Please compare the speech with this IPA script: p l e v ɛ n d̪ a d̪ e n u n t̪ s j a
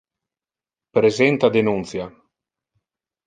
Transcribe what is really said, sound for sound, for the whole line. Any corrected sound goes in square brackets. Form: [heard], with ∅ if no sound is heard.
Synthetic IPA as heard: p [ɾ] e [z] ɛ n [t̪] a d̪ e n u n t̪ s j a